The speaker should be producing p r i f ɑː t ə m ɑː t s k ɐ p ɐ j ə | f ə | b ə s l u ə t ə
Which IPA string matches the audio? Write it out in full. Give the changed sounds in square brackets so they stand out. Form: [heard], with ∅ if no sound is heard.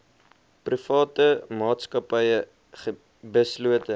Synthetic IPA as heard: p r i f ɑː t ə m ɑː t s k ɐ p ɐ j ə | [χ] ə | b ə s l u ə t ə